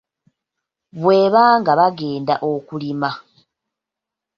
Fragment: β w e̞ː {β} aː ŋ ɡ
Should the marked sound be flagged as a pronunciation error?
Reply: no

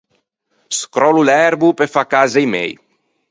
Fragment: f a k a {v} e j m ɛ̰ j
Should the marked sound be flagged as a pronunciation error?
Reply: yes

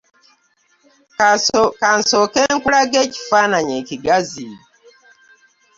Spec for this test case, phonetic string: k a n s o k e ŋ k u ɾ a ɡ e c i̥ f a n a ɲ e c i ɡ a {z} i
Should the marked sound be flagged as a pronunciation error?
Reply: no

